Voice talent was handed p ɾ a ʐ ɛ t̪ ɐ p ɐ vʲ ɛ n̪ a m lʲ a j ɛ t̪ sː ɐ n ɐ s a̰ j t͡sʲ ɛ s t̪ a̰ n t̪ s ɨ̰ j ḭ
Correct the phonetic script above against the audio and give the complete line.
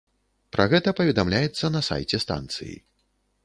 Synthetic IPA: p ɾ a ɣ ɛ t̪ ɐ p ɐ vʲ ɛ d̪ a m lʲ a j ɛ t̪ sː ɐ n ɐ s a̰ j t͡sʲ ɛ s t̪ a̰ n t̪ s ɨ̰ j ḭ